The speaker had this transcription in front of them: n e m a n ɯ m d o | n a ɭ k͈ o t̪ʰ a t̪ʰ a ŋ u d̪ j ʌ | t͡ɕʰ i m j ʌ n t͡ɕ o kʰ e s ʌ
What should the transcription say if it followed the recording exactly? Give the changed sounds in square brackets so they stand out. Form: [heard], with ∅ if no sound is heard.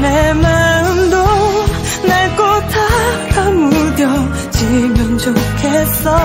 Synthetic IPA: n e m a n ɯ m d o | n a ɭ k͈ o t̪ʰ a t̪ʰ a [m] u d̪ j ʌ | [t͡ɕ] i m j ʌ n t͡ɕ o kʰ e s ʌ